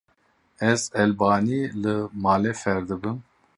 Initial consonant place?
alveolar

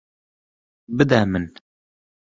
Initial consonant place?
labial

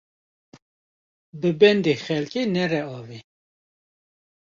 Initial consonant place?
labial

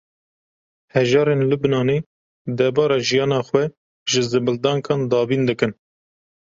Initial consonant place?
glottal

